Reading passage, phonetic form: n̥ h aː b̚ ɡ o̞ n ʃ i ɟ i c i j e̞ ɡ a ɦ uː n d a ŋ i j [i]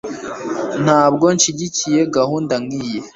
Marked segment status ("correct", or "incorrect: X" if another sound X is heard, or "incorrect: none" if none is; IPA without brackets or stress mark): incorrect: e